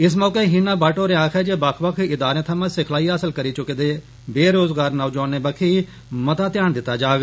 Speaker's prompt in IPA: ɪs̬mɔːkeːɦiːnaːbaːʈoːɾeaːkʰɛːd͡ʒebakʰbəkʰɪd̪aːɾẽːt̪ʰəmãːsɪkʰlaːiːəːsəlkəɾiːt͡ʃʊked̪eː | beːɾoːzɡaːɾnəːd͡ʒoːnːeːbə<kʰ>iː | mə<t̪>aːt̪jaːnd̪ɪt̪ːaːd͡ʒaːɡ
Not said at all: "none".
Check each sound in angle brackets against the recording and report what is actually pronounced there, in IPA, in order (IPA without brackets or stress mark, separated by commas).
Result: kʰ, t̪